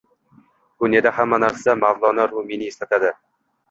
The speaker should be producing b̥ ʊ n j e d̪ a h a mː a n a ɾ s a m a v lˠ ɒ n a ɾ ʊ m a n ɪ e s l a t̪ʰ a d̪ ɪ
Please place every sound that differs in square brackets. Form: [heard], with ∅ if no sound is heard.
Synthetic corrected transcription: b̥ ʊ n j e d̪ a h a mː a n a ɾ s a m a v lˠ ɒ n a ɾ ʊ m [e] n ɪ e s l a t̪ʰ a d̪ ɪ